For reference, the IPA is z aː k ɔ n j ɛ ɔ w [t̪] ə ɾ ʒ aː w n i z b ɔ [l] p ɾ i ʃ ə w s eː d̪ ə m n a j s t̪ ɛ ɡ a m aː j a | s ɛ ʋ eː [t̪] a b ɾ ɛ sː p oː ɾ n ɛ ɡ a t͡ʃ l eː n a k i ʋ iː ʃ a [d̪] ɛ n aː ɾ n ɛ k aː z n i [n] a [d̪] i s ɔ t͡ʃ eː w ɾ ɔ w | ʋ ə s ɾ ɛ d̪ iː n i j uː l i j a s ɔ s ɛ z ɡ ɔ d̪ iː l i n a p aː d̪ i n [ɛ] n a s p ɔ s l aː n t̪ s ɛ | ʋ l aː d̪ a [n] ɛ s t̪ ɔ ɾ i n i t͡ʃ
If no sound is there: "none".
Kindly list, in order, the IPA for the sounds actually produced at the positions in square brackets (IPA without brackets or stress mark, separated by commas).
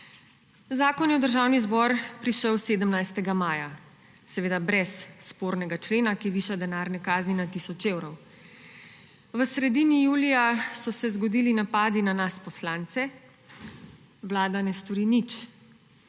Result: d̪, ɾ, d̪, d̪, n, t̪, a, n